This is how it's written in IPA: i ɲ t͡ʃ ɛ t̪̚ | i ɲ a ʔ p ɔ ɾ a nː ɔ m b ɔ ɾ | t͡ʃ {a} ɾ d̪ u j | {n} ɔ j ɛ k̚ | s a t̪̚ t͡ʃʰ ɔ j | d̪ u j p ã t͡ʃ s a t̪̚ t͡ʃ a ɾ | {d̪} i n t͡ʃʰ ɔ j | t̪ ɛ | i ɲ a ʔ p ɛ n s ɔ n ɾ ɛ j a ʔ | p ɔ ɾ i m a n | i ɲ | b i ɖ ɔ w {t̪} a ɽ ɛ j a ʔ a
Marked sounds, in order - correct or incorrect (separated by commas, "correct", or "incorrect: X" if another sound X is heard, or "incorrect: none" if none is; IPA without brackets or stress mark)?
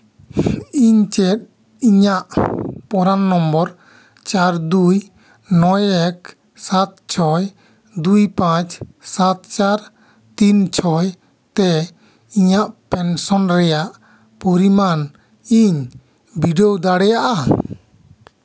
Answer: correct, correct, incorrect: t̪, incorrect: d̪